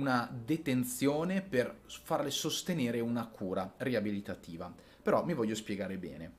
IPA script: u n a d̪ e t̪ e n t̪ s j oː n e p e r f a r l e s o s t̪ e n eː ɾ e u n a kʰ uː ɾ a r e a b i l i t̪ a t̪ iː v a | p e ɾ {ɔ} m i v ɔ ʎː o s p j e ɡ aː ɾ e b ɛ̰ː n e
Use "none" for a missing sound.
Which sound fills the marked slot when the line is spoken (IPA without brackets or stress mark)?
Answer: ɔ